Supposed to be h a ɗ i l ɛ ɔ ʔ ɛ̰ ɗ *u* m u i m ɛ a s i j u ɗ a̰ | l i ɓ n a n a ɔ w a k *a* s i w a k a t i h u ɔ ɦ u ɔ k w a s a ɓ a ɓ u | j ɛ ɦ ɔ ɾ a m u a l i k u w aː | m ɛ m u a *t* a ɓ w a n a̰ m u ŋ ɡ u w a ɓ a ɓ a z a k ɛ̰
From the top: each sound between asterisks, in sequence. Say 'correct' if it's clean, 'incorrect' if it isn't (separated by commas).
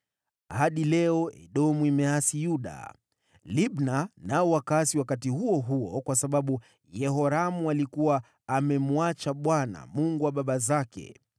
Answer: incorrect, correct, incorrect